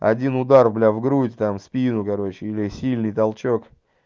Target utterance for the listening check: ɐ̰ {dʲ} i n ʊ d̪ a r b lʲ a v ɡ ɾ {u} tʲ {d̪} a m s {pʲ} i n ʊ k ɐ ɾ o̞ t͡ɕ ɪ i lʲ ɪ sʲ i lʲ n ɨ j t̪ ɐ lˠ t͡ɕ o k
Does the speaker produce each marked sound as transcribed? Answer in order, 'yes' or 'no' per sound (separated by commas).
yes, yes, no, yes